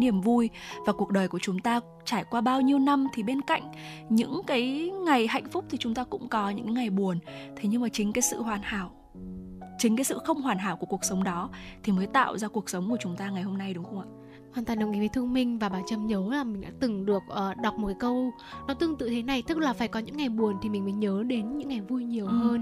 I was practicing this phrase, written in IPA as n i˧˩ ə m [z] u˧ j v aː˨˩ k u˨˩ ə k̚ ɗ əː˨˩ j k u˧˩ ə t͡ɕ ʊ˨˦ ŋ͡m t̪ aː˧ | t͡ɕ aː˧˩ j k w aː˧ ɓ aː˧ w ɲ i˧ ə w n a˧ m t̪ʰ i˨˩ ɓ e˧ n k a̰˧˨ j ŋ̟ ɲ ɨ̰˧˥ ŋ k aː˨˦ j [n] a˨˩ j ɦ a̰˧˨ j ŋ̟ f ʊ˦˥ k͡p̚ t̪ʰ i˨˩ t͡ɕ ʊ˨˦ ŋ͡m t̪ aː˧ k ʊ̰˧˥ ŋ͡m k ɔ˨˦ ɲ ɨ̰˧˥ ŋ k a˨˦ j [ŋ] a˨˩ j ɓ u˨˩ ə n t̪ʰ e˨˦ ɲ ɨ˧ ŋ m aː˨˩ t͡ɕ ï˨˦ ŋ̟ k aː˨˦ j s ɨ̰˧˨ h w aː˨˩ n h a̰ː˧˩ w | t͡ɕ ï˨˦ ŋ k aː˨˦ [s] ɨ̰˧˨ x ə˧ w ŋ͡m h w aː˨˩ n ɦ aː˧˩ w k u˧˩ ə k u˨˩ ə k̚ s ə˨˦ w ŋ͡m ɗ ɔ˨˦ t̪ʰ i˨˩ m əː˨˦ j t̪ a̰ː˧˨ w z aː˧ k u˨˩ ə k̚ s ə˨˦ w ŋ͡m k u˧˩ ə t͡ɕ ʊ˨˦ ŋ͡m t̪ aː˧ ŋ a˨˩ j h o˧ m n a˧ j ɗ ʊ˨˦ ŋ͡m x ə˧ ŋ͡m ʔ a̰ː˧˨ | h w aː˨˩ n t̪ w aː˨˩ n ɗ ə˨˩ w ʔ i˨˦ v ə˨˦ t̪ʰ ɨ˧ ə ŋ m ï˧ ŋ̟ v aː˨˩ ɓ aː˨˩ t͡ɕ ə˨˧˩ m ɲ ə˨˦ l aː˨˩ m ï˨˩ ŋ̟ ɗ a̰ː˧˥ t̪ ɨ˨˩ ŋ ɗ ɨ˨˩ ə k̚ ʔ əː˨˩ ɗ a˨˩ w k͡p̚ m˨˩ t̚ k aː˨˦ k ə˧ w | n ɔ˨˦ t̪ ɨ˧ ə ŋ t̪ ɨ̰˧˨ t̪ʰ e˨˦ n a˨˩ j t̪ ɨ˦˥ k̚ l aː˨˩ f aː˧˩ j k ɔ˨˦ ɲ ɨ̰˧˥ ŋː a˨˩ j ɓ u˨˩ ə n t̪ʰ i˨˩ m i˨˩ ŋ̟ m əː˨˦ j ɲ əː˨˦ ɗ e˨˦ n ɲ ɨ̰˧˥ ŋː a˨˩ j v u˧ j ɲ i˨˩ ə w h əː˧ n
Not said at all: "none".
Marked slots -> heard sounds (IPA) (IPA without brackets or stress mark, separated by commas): v, ŋ, ŋ, s